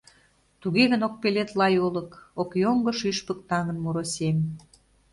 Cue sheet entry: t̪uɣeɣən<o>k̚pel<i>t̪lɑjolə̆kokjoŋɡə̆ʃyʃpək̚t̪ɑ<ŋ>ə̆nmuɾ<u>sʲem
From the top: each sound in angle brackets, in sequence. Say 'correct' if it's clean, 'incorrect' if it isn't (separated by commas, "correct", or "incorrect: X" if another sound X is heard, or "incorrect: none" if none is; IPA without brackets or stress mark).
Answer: correct, incorrect: e, correct, incorrect: o